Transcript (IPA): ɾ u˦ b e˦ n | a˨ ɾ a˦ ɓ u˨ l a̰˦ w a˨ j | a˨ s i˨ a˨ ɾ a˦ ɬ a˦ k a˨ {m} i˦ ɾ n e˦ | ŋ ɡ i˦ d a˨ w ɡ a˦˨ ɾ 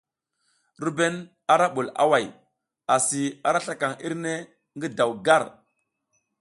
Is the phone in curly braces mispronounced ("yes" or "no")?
yes